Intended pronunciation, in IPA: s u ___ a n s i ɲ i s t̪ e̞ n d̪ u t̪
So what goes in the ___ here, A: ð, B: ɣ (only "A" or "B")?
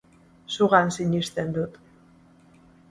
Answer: B